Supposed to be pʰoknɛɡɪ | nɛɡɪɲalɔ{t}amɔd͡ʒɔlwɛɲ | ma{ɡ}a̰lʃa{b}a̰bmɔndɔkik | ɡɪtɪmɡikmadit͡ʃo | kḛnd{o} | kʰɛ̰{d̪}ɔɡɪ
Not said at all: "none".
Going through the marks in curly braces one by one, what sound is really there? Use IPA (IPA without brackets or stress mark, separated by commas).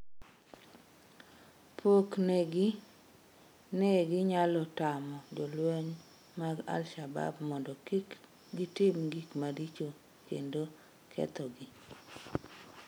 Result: t, ɡ, b, o, t̪